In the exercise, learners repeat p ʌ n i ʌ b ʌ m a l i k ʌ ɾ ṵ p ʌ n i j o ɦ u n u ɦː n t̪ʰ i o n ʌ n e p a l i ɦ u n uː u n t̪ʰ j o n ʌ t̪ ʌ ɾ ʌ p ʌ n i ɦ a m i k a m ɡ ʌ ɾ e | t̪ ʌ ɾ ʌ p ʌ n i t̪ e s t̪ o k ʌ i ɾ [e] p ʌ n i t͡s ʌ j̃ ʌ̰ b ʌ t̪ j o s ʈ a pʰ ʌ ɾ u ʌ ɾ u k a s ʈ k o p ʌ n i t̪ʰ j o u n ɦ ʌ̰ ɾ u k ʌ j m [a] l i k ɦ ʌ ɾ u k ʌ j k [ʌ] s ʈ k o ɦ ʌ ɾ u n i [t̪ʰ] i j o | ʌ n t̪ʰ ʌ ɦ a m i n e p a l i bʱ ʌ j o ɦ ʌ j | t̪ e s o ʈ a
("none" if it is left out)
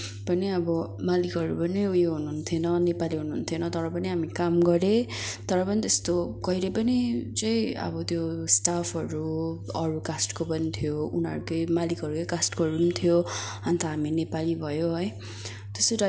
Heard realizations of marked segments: e, a, a, t̪ʰ

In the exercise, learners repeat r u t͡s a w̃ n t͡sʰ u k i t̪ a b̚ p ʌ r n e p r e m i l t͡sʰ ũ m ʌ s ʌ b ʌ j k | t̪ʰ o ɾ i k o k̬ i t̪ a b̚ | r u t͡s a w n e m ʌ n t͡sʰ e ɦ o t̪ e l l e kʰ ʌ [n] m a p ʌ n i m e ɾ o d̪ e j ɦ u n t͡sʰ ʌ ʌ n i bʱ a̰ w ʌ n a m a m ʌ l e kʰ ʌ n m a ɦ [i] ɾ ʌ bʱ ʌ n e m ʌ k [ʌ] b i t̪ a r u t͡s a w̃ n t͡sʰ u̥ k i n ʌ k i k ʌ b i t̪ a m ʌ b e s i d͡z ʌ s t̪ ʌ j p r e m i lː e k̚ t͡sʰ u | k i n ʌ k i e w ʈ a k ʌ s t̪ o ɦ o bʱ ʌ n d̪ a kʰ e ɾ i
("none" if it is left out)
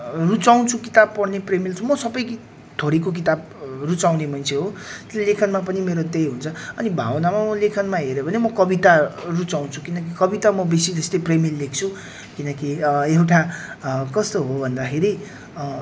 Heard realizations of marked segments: n, e, ʌ

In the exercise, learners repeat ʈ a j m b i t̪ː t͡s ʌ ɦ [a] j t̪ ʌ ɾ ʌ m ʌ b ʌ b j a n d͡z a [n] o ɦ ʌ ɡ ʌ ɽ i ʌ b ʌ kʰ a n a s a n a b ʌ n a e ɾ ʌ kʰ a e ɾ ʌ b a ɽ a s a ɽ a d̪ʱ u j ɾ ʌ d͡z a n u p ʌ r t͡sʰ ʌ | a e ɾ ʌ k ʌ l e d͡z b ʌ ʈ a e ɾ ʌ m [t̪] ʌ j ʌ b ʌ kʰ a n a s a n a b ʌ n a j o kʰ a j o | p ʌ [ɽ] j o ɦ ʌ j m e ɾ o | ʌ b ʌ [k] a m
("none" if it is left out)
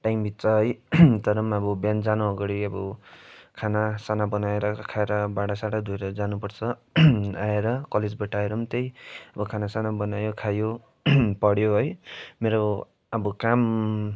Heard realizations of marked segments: ʌ, n, t̪, ɽ, k

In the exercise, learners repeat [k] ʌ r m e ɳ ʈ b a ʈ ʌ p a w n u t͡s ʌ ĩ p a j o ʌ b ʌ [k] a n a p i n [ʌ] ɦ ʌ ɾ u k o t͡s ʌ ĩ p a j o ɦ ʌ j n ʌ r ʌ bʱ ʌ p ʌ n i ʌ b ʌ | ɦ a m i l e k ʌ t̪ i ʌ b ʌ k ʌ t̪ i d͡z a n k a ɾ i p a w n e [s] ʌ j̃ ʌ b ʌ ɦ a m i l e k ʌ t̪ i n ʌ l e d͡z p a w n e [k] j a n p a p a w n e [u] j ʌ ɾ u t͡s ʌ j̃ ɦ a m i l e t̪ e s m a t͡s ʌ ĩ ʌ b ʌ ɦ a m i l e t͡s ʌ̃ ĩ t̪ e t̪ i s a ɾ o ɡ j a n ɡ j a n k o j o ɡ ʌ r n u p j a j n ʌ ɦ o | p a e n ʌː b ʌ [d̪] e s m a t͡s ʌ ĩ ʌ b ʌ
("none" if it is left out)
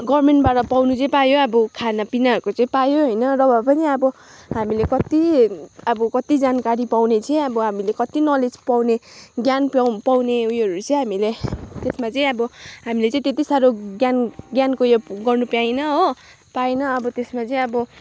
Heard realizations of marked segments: ɡ, kʰ, a, t͡s, ɡ, u, t̪

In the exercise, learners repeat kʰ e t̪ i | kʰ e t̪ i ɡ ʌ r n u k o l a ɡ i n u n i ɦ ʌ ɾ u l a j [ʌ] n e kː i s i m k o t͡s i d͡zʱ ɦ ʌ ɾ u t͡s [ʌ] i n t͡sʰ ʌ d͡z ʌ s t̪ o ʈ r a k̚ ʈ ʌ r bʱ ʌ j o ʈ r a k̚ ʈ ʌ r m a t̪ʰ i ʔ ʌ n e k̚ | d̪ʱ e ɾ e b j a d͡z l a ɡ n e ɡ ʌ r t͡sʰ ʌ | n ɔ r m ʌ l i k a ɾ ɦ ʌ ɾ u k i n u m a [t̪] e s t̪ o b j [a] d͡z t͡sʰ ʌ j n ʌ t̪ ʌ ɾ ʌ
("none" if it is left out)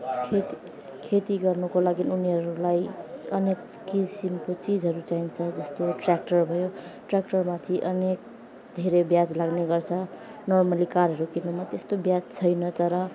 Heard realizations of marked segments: ʌ, a, t̪, a

